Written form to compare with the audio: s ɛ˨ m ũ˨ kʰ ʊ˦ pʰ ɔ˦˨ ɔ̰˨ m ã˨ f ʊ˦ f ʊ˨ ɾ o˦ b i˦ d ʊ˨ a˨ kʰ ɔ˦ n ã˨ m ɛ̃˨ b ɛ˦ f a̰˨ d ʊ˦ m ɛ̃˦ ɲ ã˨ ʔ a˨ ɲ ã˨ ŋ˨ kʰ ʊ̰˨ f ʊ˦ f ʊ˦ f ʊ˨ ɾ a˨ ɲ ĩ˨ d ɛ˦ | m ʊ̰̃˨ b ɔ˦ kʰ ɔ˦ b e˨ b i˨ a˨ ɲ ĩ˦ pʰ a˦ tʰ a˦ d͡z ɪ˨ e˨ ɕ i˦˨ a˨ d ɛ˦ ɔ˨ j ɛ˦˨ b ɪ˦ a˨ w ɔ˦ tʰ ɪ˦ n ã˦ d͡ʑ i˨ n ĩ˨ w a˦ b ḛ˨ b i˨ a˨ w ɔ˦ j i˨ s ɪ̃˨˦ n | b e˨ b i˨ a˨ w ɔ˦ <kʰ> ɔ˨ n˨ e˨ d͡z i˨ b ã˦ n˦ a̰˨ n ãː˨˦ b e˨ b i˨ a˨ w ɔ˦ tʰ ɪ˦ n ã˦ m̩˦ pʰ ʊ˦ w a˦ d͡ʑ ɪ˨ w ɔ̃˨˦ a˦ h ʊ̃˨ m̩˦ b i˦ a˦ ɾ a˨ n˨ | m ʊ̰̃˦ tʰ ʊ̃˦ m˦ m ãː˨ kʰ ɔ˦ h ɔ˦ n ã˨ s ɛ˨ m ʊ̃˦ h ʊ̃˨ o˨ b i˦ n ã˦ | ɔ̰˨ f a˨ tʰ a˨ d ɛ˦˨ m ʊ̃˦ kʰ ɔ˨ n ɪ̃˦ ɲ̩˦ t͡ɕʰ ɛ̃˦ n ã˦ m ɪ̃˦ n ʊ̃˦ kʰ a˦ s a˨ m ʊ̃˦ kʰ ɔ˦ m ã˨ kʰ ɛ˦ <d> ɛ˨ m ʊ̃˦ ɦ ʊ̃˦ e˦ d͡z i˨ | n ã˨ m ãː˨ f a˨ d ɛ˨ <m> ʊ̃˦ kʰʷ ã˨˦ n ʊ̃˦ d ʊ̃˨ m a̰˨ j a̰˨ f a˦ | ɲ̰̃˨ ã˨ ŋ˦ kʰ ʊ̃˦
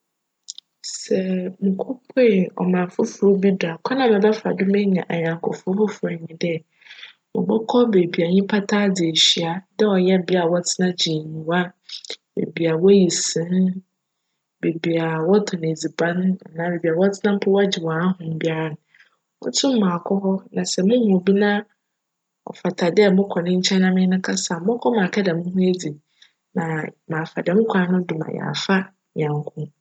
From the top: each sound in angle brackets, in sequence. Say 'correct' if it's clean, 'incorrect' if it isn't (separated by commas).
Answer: incorrect, correct, correct